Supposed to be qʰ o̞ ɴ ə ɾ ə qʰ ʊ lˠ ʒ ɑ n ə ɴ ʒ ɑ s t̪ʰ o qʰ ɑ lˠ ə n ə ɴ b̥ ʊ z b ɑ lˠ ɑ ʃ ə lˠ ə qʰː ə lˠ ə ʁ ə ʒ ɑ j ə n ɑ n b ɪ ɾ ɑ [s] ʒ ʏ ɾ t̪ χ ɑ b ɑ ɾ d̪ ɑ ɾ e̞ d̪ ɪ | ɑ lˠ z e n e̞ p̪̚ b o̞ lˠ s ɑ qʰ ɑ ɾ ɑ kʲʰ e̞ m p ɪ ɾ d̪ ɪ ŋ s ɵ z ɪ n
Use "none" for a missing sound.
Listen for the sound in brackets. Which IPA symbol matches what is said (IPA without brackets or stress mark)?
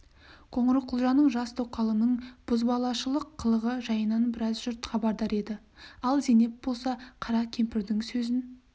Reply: z